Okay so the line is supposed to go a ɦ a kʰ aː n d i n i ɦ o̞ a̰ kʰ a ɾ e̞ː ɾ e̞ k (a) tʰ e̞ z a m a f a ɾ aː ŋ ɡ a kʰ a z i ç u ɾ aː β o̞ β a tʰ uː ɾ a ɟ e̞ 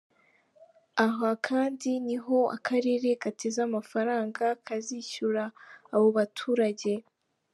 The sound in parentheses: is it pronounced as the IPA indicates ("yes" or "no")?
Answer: yes